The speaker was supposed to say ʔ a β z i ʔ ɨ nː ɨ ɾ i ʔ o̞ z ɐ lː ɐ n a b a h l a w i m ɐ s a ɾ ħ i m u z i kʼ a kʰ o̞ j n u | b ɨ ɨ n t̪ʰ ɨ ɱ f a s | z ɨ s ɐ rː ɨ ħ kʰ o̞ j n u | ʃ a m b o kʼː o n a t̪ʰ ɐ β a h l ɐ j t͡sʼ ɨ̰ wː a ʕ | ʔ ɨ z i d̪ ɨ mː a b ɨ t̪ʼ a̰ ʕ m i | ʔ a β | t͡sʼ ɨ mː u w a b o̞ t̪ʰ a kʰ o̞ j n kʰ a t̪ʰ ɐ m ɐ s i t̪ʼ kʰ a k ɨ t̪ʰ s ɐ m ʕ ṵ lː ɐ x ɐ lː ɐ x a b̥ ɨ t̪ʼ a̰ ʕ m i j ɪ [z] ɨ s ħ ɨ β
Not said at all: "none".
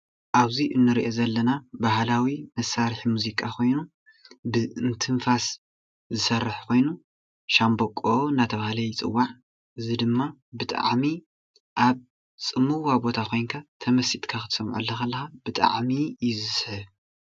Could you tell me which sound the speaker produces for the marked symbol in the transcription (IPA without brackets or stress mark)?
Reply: z